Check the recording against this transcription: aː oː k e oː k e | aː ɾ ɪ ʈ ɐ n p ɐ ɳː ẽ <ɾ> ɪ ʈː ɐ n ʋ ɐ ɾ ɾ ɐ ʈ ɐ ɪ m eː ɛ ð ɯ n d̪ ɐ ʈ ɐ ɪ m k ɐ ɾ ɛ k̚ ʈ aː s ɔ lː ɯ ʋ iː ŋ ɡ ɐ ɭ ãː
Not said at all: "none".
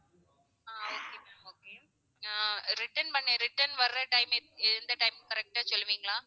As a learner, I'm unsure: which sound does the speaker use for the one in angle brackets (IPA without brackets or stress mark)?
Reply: ɾ